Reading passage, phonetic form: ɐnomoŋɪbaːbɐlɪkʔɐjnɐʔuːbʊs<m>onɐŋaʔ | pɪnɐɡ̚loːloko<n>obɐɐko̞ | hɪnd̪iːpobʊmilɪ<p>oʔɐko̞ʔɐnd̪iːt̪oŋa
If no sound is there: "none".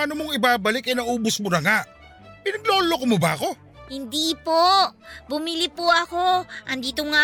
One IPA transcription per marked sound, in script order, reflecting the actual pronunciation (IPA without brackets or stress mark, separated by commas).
m, m, p